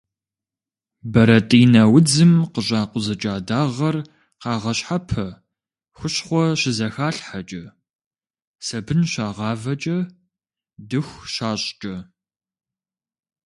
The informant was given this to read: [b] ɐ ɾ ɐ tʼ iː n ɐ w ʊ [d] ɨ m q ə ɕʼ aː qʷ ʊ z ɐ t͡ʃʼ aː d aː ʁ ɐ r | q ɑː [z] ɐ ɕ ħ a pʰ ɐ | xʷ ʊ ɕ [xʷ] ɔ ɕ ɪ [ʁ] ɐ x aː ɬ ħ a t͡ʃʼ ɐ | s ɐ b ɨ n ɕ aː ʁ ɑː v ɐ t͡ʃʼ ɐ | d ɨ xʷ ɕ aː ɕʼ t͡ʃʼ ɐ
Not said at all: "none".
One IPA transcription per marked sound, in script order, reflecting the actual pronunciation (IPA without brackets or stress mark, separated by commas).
b, d͡z, ʁ, χʷ, z